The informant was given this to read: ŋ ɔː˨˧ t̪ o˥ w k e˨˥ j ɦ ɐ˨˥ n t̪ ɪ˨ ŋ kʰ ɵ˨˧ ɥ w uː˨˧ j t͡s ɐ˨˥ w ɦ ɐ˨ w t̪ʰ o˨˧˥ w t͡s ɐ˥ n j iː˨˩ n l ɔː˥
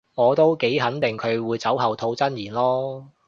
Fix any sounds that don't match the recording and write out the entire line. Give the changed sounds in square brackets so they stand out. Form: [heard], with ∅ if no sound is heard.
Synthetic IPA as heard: ŋ ɔː˨˧ t̪ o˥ w k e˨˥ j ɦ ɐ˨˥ n t̪ ɪ˨ ŋ kʰ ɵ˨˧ ɥ w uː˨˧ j t͡s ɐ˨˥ w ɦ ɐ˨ w t̪ʰ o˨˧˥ w t͡s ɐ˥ n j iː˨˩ n l ɔː˥

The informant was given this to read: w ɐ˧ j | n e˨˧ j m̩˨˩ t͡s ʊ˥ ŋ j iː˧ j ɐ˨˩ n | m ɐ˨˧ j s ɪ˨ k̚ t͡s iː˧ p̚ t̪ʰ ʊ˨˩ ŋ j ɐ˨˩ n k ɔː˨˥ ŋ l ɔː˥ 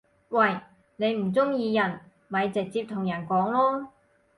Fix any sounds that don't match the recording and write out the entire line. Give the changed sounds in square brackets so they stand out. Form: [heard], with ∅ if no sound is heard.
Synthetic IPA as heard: w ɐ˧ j | n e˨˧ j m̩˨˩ t͡s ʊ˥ ŋ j iː˧ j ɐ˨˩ n | m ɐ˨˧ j [t͡s] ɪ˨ k̚ t͡s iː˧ p̚ t̪ʰ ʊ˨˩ ŋ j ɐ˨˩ n k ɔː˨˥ ŋ l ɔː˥

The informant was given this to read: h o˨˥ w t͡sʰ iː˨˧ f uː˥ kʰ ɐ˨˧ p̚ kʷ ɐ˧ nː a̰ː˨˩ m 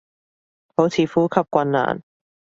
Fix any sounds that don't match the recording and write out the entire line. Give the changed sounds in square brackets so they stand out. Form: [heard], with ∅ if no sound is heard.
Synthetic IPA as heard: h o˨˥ w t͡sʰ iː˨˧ f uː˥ kʰ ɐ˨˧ p̚ kʷ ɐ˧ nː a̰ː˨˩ [n]

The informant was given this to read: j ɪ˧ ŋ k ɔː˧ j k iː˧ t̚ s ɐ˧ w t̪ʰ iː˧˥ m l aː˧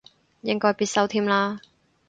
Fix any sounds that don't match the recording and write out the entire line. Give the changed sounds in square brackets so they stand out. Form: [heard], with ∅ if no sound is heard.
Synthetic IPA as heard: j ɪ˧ ŋ k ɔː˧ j [p] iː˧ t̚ s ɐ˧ w t̪ʰ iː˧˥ m l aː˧

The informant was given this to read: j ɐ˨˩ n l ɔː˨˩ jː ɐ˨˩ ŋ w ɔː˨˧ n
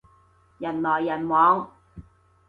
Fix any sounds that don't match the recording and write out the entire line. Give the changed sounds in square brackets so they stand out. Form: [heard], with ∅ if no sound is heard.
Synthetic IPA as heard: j ɐ˨˩ n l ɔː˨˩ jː ɐ˨˩ [n] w ɔː˨˧ [ŋ]

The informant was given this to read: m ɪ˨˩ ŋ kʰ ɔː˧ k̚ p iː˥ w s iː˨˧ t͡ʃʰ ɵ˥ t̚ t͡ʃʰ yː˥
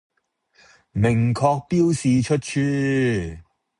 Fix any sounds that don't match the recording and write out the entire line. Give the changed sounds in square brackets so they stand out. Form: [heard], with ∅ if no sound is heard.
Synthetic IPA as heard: m ɪ˨˩ ŋ kʰ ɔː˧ k̚ p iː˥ w s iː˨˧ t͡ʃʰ ɵ˥ t̚ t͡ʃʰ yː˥

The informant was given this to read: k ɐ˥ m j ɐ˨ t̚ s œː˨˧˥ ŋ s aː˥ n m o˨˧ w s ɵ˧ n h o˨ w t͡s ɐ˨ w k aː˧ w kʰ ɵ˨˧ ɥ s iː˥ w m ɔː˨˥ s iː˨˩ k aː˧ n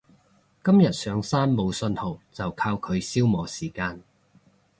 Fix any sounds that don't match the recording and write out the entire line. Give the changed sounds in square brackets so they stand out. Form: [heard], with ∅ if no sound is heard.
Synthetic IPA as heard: k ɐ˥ m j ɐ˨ t̚ s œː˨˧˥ ŋ s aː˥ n m o˨˧ w s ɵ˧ n h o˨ w t͡s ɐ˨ w [kʰ] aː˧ w kʰ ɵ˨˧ ɥ s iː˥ w m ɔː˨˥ s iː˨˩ k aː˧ n

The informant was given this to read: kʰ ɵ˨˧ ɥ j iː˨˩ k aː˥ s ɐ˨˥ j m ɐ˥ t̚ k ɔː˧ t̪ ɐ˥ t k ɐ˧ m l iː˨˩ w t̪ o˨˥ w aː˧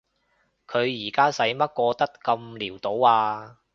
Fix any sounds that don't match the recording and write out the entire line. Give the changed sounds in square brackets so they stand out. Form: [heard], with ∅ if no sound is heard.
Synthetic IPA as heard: kʰ ɵ˨˧ ɥ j iː˨˩ k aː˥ s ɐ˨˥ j m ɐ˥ t̚ k ɔː˧ t̪ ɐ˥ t k ɐ˧ m l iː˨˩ w t̪ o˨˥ w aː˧

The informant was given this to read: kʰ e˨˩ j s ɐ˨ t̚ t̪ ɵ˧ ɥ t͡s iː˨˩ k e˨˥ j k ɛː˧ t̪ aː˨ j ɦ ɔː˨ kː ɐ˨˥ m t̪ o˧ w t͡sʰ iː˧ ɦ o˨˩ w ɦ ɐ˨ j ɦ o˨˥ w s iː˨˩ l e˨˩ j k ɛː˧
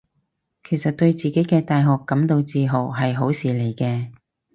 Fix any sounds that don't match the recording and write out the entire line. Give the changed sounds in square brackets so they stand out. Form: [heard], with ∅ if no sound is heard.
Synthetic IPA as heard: kʰ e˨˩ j s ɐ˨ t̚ t̪ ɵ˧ ɥ t͡s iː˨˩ k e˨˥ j k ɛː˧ t̪ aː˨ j ɦ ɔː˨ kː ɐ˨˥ m t̪ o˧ w [t͡s] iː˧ ɦ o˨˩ w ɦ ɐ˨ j ɦ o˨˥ w s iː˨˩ l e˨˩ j k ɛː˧

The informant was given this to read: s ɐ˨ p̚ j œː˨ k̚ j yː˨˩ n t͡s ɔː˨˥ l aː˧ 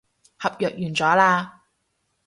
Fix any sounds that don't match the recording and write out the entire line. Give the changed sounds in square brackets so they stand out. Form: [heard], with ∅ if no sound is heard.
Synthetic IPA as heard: [h] ɐ˨ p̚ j œː˨ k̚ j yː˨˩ n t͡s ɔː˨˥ l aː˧

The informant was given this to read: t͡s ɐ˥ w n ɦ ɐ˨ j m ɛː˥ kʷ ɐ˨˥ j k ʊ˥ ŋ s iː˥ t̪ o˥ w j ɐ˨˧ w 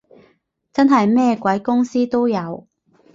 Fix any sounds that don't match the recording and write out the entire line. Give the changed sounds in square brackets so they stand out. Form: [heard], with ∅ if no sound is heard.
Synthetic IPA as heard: t͡s ɐ˥ [∅] n ɦ ɐ˨ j m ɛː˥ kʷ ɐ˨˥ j k ʊ˥ ŋ s iː˥ t̪ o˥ w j ɐ˨˧ w

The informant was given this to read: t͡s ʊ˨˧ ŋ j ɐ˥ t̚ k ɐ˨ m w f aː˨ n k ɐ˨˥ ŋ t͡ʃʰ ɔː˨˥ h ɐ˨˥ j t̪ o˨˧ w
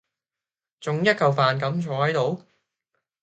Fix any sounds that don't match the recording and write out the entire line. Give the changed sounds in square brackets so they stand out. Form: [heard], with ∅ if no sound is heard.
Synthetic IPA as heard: t͡s ʊ˨˧ ŋ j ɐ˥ t̚ k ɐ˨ [∅] w f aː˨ n k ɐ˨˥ [m] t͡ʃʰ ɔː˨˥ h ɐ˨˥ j t̪ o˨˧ w

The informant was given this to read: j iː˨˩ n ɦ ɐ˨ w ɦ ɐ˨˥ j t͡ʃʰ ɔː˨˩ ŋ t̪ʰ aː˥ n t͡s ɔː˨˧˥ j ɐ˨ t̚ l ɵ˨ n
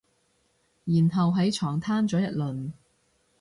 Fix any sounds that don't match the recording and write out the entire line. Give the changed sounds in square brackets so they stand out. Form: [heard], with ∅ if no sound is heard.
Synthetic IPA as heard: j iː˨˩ n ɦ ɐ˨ w ɦ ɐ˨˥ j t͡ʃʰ ɔː˨˩ ŋ t̪ʰ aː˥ n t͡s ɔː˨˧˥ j ɐ˨ t̚ l ɵ˨ n

